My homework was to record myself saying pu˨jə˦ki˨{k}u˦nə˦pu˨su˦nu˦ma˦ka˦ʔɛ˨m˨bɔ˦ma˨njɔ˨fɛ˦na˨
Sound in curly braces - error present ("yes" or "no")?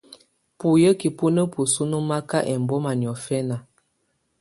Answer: yes